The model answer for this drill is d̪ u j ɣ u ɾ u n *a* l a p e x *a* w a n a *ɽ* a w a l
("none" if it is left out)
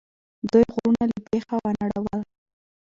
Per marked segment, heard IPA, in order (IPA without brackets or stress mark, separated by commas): a, a, ɽ